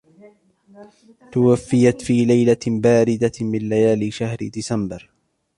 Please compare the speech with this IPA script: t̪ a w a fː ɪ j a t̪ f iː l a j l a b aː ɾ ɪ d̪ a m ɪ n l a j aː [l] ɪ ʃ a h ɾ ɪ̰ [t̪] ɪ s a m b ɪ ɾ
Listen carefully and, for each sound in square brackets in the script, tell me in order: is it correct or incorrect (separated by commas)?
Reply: correct, incorrect